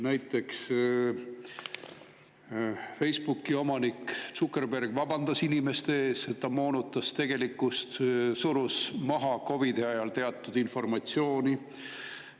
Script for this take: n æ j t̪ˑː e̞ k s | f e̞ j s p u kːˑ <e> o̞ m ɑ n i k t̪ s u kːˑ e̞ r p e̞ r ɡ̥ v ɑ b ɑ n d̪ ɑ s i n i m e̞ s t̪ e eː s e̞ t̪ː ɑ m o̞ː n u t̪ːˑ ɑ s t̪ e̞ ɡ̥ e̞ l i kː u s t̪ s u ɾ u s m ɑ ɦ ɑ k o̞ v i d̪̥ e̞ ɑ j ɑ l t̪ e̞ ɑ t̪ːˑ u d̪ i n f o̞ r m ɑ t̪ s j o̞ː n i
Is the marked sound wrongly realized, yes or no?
yes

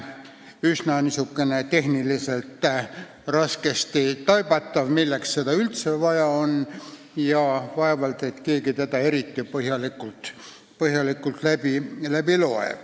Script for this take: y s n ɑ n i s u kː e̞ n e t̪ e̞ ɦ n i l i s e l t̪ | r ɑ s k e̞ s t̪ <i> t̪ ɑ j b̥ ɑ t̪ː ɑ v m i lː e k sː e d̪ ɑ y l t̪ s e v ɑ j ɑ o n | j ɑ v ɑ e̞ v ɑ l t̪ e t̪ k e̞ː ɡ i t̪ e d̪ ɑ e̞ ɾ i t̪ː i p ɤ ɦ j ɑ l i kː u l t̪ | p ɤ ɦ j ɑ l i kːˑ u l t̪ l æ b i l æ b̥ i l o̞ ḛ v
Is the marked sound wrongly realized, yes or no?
no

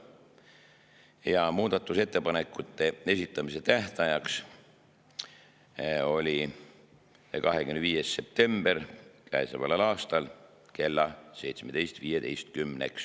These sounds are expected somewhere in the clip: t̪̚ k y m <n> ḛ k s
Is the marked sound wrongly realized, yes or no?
no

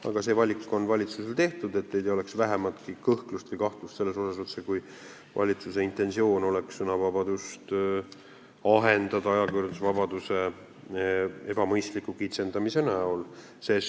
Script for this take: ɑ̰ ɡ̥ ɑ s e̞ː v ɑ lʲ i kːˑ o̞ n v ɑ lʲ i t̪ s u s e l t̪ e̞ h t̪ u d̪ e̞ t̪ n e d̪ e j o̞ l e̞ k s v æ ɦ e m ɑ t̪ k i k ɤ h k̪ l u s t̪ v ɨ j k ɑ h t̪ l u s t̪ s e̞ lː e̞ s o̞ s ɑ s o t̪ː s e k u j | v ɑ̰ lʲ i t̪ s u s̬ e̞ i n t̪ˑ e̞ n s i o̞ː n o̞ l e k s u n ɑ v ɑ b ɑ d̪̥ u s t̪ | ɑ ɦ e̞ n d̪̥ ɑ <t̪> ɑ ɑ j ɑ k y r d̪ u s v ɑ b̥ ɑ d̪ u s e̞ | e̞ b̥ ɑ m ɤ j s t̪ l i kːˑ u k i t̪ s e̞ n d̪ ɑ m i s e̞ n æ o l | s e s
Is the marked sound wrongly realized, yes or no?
yes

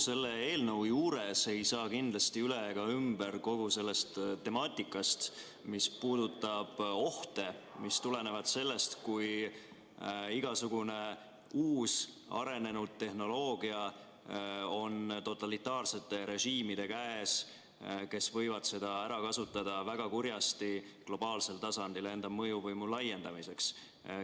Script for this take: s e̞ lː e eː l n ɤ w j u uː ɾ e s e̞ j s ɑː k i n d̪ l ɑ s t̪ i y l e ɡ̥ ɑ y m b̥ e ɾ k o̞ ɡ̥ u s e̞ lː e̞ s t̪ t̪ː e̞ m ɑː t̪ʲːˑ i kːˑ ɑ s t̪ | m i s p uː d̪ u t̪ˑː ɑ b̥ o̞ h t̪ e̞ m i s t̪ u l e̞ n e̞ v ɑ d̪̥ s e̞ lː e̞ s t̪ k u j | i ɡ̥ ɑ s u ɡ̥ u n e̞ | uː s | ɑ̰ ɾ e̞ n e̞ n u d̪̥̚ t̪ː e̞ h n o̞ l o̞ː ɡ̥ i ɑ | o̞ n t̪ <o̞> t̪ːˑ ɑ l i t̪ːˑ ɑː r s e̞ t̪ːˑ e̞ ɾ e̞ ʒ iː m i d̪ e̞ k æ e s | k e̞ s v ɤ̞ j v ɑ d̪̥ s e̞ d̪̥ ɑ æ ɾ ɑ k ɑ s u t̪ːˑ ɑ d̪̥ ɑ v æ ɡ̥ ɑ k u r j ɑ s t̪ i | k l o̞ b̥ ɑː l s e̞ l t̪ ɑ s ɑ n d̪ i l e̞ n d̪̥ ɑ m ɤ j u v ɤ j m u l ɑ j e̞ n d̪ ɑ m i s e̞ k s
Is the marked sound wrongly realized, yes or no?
no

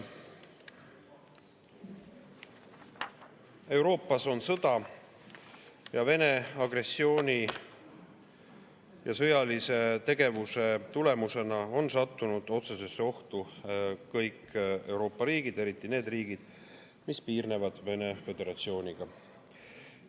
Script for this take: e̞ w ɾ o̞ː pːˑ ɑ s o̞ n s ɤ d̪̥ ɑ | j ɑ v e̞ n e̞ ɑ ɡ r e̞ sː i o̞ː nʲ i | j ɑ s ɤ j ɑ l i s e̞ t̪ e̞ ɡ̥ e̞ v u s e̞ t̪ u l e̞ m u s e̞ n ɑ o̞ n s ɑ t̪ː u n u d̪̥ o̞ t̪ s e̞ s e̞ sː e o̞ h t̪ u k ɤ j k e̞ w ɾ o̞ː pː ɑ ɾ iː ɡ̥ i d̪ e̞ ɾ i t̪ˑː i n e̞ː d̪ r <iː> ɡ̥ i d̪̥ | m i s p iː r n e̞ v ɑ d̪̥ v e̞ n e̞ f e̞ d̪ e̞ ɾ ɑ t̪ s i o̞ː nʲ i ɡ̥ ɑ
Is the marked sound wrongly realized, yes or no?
no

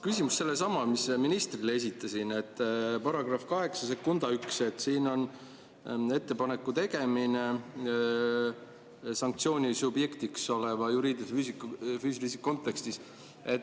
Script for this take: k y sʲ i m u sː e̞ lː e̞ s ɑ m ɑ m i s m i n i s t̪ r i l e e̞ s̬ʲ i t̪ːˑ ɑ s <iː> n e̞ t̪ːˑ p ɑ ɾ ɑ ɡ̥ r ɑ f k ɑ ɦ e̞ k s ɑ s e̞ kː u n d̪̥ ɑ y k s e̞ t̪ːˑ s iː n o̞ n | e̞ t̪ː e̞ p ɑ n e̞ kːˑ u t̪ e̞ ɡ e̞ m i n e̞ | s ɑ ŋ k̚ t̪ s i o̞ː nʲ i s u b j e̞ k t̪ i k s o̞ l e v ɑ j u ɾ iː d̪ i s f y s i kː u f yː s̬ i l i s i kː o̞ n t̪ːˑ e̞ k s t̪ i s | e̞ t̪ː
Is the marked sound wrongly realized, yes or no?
yes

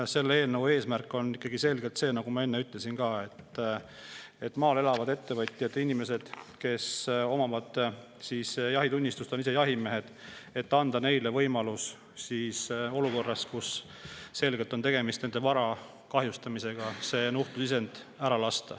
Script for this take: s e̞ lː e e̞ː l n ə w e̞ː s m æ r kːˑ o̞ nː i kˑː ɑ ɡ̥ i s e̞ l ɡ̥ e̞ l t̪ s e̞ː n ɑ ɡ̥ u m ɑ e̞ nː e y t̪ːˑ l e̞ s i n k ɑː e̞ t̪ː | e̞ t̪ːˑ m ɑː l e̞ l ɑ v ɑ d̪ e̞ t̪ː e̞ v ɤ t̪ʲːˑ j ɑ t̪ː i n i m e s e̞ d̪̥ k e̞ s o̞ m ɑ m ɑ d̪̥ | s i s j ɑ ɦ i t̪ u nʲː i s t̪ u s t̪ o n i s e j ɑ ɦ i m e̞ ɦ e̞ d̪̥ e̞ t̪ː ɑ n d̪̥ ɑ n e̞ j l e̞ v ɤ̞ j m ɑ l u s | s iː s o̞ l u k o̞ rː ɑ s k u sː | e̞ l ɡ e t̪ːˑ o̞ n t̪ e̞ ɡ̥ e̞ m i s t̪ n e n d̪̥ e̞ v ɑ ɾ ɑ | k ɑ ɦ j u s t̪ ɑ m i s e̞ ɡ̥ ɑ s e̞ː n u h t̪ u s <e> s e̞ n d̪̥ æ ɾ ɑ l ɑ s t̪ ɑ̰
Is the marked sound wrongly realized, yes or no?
yes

